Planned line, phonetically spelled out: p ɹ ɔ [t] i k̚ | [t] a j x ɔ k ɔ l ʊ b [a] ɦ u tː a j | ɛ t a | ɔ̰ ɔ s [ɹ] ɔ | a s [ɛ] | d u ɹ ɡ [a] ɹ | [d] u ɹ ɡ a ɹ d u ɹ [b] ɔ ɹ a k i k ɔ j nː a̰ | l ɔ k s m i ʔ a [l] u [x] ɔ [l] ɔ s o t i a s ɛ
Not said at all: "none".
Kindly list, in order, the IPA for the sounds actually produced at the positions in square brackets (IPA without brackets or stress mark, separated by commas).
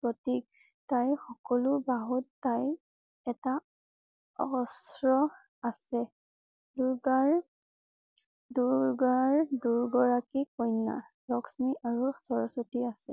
t, t, a, ɹ, ɛ, a, d, ɡ, ɹ, s, ɹ